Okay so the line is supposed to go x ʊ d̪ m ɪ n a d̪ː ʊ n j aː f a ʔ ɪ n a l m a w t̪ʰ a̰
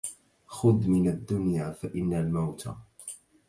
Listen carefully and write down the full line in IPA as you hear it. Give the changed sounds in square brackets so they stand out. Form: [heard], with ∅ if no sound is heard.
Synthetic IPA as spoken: x ʊ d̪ m ɪ n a d̪ː ʊ n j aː f a ʔ ɪ [nː] a l m a w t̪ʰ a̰